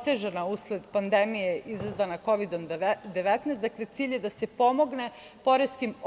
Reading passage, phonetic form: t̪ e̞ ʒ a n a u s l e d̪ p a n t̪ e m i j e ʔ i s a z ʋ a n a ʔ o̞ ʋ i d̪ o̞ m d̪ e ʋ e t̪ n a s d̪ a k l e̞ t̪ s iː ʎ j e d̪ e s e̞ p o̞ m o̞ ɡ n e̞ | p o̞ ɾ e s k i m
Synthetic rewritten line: t̪ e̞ ʒ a n a u s l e d̪ p a n d̪ e m i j e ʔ i z a z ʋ a n a k o̞ ʋ i d̪ o̞ m d̪ e ʋ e t̪ n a s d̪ a k l e̞ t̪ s iː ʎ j e d̪ a s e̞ p o̞ m o̞ ɡ n e̞ | p o̞ ɾ e s k i m